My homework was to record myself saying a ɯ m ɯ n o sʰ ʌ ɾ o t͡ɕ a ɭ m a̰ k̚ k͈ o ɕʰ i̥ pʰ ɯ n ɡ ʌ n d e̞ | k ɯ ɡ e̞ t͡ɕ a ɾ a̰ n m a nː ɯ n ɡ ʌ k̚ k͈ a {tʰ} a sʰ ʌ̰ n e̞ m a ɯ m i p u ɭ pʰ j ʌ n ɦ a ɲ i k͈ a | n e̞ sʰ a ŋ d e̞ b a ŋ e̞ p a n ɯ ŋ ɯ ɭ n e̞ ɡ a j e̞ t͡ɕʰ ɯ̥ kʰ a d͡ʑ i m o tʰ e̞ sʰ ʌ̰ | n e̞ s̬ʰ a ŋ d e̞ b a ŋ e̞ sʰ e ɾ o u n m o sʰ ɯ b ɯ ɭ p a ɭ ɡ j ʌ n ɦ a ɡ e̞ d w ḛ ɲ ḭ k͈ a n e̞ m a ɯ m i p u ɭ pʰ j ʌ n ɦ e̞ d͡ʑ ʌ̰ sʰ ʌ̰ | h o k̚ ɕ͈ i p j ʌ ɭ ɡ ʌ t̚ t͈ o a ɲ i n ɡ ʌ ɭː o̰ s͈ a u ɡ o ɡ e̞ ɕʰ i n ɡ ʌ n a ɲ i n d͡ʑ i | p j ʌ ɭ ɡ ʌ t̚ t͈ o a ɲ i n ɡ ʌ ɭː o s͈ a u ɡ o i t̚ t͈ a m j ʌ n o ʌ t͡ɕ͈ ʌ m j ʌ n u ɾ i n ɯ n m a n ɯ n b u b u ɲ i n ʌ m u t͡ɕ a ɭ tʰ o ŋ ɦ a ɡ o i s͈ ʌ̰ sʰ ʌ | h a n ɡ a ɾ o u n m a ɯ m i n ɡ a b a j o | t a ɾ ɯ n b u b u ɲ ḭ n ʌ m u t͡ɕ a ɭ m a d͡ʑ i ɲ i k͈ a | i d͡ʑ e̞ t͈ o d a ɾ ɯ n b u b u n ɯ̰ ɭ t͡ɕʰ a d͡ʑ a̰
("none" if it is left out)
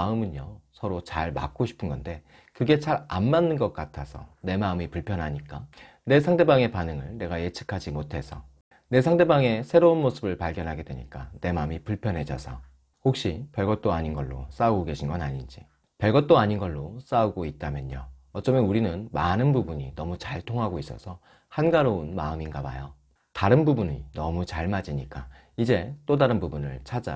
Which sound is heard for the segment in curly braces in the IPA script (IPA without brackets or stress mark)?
tʰ